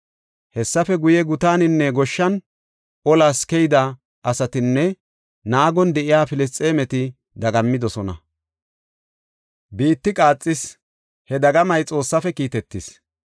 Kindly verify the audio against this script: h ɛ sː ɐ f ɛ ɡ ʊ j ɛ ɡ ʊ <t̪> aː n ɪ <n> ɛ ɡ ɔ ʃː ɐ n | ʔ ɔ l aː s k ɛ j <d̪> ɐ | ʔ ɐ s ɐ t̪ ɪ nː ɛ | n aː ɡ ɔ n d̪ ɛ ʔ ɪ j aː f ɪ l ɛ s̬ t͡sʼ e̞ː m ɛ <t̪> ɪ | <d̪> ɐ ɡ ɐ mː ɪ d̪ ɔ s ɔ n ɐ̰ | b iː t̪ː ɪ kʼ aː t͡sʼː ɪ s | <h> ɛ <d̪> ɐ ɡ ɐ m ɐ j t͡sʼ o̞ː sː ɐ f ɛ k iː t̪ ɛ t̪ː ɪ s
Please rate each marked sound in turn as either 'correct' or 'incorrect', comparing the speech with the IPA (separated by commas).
correct, incorrect, correct, correct, correct, correct, correct